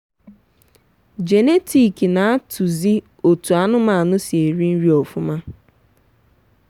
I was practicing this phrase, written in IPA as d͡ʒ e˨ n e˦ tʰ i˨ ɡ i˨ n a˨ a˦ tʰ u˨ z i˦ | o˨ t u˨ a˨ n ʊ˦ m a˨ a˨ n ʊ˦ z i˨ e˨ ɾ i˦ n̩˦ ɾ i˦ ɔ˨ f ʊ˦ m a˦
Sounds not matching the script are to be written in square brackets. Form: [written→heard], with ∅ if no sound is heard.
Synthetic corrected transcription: d͡ʒ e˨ n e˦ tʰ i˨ [ɡ→k] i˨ n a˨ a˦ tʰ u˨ z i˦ | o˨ t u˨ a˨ n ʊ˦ m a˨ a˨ n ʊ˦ [z→s] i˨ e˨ ɾ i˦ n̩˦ ɾ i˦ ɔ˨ f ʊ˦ m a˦